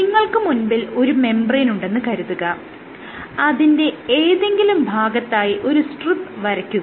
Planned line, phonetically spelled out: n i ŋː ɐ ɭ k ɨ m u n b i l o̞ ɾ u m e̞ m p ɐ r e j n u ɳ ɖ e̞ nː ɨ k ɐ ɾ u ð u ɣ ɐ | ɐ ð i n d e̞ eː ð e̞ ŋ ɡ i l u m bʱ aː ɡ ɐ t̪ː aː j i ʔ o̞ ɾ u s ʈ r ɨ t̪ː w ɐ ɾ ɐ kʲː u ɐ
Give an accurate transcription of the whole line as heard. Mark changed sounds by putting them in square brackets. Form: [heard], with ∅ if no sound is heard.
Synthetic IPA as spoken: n i ŋː ɐ ɭ k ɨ m u n b i l o̞ ɾ u m e̞ m [b] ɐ r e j n u ɳ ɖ e̞ nː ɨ k ɐ ɾ u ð u ɣ ɐ | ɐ ð i n d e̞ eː ð e̞ ŋ ɡ i l u m bʱ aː ɡ ɐ t̪ː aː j i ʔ o̞ ɾ u s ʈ r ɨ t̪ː [ʋ] ɐ ɾ ɐ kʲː u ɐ

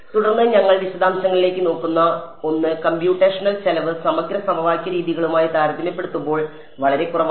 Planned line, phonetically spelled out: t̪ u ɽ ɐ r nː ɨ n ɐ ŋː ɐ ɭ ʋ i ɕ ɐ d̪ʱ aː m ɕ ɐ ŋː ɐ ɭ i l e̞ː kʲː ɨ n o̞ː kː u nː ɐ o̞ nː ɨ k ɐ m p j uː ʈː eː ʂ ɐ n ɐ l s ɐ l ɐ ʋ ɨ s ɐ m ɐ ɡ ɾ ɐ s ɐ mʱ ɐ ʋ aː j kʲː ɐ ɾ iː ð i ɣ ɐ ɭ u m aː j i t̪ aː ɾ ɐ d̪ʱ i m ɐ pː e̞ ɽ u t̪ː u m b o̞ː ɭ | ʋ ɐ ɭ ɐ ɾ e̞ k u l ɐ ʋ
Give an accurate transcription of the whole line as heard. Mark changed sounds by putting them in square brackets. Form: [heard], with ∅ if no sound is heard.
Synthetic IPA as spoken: t̪ u ɽ ɐ r nː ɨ [ɲ] ɐ ŋː ɐ ɭ ʋ i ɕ ɐ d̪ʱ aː m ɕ ɐ ŋː ɐ ɭ i l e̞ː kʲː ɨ n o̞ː kː u nː ɐ o̞ nː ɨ k ɐ m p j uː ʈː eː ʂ ɐ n ɐ l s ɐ l ɐ ʋ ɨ s ɐ m ɐ ɡ ɾ ɐ s ɐ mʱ ɐ ʋ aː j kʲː ɐ ɾ iː ð i ɣ ɐ ɭ u m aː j i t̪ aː ɾ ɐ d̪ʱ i m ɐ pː e̞ ɽ u t̪ː u m b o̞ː ɭ | ʋ ɐ ɭ ɐ ɾ e̞ k u [r] ɐ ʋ

